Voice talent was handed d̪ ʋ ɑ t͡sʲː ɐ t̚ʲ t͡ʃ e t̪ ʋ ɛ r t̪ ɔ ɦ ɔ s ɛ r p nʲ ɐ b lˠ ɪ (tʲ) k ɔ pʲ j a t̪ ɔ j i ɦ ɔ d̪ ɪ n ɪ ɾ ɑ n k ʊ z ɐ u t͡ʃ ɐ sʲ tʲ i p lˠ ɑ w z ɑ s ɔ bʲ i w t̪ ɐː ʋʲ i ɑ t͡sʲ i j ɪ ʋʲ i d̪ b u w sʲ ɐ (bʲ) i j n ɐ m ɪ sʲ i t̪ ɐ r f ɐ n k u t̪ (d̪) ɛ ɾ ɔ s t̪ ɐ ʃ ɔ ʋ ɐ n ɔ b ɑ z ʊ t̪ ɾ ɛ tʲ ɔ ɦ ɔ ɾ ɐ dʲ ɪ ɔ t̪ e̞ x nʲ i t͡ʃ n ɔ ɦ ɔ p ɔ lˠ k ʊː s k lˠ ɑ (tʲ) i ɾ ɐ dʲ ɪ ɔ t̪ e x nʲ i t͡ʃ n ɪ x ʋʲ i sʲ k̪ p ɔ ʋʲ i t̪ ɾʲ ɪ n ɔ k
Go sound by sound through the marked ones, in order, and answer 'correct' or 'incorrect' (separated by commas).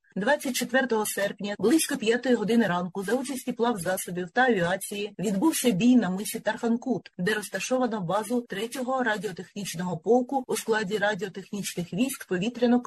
incorrect, correct, correct, incorrect